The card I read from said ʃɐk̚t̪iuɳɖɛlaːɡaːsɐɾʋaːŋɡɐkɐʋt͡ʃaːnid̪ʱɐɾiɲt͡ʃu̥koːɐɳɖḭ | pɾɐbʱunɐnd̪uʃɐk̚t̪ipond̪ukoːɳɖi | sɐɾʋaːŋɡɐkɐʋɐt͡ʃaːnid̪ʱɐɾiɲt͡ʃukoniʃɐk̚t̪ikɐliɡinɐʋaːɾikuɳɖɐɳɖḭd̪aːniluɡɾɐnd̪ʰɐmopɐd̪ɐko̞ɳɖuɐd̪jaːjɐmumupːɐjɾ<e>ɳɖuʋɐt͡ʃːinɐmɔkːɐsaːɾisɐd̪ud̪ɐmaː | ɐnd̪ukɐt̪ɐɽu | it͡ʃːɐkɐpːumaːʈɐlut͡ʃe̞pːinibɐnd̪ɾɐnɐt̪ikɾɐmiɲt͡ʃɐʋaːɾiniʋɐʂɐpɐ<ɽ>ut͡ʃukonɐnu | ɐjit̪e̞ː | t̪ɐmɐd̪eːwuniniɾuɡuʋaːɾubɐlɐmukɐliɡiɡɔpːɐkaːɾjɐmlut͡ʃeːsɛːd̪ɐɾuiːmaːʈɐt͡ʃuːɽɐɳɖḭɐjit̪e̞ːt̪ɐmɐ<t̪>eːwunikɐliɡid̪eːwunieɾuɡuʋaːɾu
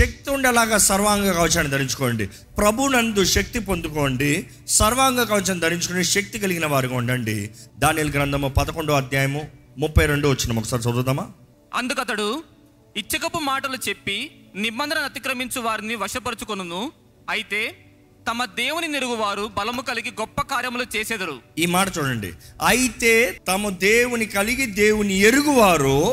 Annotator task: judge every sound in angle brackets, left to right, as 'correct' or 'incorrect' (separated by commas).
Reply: correct, incorrect, incorrect